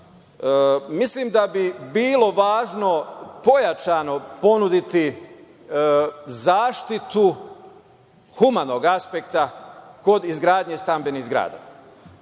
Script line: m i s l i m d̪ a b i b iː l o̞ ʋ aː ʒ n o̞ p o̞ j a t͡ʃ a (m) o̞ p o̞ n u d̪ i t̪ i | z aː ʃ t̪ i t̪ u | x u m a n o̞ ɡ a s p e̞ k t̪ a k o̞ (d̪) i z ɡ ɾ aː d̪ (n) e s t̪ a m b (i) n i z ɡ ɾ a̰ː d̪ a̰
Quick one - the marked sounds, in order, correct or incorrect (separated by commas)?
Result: incorrect, correct, incorrect, incorrect